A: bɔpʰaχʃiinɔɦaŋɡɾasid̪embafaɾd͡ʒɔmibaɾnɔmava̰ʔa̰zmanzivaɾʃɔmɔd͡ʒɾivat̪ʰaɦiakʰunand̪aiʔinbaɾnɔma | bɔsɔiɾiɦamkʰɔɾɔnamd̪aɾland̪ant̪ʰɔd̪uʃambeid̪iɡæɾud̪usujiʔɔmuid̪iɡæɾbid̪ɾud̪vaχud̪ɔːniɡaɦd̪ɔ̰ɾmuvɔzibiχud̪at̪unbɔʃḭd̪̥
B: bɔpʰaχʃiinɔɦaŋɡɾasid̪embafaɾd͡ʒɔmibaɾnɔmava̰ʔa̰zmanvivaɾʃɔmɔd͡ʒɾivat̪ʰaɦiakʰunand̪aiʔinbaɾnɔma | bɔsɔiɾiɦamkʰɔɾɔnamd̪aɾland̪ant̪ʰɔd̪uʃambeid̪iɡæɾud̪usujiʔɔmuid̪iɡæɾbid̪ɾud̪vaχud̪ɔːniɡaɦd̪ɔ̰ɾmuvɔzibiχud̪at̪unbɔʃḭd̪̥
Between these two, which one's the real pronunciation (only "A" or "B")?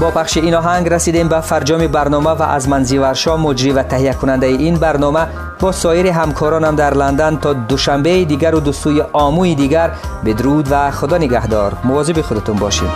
A